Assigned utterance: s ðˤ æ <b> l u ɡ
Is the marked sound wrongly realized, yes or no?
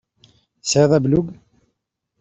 no